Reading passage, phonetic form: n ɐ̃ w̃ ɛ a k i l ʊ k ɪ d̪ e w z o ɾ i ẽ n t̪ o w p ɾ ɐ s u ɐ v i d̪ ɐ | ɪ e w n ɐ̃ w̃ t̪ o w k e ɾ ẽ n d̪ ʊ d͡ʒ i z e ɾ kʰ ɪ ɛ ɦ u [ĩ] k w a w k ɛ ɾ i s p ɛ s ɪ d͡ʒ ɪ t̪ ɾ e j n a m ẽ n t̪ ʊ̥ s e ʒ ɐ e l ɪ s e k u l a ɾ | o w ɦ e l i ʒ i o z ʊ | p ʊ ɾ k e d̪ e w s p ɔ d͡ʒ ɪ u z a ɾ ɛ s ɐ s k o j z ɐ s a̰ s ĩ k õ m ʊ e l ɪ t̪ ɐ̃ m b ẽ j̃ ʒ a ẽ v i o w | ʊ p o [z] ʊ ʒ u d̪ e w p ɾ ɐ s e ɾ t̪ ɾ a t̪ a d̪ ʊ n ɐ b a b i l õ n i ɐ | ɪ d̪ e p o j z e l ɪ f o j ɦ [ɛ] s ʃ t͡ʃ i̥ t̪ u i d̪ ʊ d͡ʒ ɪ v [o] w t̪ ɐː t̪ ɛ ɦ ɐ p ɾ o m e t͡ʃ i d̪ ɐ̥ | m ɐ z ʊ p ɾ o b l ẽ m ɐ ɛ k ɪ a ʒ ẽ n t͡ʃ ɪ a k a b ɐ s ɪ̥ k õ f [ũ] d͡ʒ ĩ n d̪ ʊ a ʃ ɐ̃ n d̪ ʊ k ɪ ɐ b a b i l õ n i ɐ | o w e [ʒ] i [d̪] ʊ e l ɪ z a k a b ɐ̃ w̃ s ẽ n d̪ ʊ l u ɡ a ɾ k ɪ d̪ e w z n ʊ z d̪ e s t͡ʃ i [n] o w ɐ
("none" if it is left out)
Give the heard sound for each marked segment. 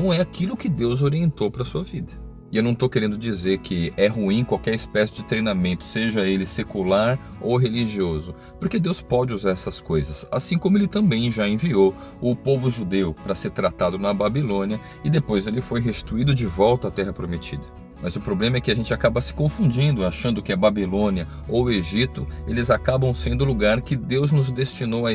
ĩ, v, e, ɔ, ũ, ʒ, t̪, n

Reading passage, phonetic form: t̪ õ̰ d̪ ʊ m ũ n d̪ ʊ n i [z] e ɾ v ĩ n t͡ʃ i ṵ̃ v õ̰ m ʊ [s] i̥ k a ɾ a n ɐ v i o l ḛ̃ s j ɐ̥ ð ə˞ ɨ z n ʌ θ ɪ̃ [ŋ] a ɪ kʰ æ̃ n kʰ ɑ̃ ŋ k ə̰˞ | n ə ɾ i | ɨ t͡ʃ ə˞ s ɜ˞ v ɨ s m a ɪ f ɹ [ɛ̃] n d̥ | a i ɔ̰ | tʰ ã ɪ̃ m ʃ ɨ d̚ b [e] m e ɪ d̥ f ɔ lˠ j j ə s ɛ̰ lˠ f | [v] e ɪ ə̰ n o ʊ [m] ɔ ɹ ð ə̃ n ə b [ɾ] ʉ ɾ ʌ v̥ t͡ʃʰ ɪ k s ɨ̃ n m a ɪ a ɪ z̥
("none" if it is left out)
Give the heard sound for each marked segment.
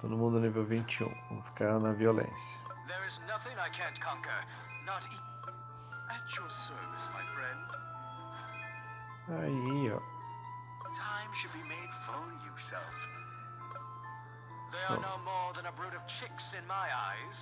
v, f, ŋ, ɛ̃, i, ð, m, ɹ

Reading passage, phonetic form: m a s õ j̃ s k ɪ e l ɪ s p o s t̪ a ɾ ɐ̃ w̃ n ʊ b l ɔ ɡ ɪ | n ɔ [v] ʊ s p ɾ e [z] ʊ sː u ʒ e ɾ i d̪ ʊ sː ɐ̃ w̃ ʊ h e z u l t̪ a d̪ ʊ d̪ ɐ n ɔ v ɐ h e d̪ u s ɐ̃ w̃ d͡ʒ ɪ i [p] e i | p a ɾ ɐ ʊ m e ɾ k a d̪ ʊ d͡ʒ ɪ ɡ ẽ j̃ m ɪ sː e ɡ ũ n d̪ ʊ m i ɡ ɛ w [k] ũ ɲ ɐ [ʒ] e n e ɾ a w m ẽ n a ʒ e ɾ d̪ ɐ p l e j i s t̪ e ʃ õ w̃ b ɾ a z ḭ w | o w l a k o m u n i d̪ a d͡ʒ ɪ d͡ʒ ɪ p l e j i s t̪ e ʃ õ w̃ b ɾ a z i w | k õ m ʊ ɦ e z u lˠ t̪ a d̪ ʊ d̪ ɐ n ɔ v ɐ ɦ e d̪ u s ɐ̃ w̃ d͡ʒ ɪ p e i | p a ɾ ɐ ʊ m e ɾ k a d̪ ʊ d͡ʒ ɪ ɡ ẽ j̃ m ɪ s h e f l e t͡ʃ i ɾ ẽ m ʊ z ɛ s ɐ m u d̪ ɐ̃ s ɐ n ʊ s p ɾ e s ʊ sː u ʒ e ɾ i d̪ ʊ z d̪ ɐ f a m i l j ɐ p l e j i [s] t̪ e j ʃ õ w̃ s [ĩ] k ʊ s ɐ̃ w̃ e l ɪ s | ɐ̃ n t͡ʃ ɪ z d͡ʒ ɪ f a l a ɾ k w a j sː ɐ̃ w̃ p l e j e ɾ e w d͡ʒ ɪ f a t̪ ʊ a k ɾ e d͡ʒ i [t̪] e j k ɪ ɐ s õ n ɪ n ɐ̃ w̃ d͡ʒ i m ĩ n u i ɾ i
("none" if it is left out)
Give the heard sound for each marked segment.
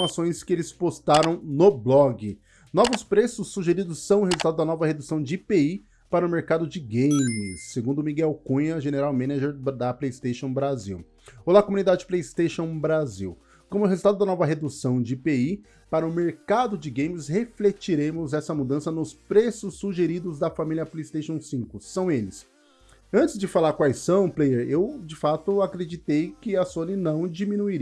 v, s, p, k, ʒ, s, ĩ, t̪

